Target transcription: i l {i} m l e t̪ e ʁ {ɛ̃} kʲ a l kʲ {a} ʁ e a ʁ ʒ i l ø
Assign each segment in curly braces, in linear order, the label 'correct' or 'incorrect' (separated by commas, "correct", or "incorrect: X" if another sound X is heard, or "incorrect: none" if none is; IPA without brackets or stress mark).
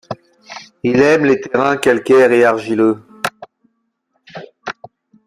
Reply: incorrect: ɛ, correct, incorrect: ɛ